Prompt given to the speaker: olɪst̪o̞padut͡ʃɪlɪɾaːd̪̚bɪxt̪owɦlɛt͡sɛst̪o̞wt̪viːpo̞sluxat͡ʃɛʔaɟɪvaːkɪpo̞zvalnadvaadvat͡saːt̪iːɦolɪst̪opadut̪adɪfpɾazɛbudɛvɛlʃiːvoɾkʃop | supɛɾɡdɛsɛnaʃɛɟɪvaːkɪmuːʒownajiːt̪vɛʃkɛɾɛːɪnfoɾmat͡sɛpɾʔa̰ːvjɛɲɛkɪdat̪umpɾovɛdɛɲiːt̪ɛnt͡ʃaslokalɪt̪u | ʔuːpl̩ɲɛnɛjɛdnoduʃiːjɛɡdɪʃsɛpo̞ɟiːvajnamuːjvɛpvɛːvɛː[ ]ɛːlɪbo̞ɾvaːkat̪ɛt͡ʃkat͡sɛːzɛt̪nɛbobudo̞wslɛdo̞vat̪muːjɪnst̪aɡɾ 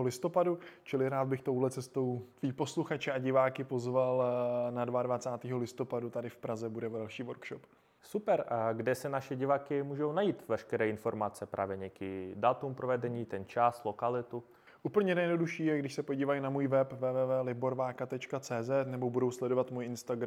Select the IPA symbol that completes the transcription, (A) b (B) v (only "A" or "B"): B